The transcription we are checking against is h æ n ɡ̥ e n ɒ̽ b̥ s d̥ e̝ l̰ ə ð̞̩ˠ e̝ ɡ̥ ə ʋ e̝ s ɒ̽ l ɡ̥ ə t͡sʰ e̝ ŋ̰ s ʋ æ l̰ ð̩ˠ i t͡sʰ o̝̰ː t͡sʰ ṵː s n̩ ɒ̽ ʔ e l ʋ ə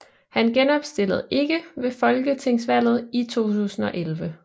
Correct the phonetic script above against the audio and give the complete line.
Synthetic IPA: h æ n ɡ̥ e n ɒ̽ b̥ s d̥ e̝ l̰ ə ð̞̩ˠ e̝ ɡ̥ ə ʋ e̝ f ɒ̽ l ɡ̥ ə t͡sʰ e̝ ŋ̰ s ʋ æ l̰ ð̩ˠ i t͡sʰ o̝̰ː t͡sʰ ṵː s n̩ ɒ̽ ʔ e l ʋ ə